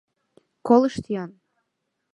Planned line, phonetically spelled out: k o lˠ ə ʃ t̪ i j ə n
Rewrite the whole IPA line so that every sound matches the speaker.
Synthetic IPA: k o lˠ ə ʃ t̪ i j ɑ n